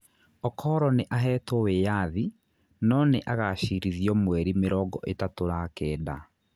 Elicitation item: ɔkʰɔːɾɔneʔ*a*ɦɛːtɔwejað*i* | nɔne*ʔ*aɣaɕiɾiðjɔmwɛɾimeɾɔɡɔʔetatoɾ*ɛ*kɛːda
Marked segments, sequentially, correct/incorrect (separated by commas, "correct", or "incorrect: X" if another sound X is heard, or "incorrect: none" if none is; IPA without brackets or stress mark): correct, correct, correct, incorrect: a